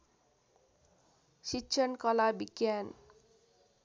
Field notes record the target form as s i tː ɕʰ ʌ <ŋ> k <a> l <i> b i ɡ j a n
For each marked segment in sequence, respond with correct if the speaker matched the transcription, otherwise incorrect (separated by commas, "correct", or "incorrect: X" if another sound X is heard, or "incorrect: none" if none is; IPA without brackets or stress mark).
incorrect: n, incorrect: ʌ, incorrect: a